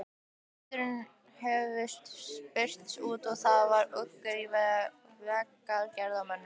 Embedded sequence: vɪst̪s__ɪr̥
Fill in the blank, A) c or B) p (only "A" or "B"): B